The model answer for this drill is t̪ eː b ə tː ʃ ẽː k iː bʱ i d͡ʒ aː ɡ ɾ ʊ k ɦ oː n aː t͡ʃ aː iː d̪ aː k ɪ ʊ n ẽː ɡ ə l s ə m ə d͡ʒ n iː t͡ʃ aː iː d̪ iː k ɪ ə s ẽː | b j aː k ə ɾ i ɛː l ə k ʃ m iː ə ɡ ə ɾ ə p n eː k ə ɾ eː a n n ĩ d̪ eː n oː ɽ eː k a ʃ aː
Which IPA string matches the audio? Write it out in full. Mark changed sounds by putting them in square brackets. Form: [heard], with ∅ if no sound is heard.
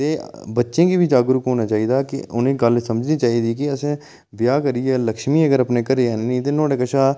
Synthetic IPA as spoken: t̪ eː b ə tː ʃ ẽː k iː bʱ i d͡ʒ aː ɡ ɾ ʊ k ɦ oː n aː t͡ʃ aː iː d̪ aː k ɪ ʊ n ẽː ɡ ə l s ə m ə d͡ʒ n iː t͡ʃ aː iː d̪ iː k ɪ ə s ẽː | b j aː k ə ɾ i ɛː l ə k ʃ m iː ə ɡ ə ɾ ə p n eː k ə ɾ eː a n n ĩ [t̪] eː n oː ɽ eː k [ə] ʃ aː